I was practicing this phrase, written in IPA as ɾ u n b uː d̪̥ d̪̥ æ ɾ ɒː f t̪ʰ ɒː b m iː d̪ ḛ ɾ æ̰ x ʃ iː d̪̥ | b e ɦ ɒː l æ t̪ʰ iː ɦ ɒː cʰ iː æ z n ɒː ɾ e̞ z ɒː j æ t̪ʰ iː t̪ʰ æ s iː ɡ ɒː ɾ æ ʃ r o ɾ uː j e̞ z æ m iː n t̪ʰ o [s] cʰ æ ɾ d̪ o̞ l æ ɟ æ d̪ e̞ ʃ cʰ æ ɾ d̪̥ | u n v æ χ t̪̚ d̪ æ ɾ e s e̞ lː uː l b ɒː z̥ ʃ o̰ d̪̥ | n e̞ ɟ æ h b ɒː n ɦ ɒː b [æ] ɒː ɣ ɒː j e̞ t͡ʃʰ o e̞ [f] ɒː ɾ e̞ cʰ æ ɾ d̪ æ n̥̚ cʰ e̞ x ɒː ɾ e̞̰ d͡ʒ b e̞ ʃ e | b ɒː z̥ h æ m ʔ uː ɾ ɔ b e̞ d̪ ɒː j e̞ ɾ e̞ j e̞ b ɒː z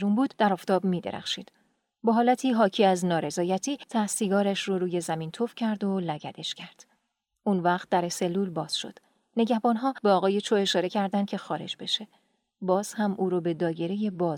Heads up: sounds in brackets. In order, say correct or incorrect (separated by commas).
incorrect, incorrect, incorrect